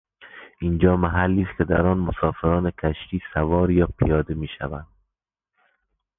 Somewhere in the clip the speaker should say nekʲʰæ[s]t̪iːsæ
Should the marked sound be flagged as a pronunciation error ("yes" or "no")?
yes